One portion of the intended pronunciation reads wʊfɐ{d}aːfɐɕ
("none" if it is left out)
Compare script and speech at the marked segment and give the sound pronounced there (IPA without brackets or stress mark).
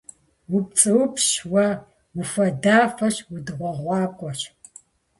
d